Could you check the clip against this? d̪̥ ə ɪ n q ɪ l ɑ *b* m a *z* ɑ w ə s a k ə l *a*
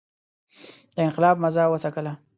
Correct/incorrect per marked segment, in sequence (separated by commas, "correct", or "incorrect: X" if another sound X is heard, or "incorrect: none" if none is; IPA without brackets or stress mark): correct, correct, correct